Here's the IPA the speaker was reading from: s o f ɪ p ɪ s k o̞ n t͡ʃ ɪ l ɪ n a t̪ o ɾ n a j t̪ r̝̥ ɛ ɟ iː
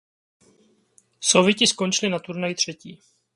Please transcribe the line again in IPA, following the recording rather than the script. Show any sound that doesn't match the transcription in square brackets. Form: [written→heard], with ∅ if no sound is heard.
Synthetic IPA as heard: s o [f→v] ɪ [p→c] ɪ s k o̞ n t͡ʃ ɪ l ɪ n a t̪ [o→u] ɾ n a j t̪ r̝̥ ɛ [ɟ→c] iː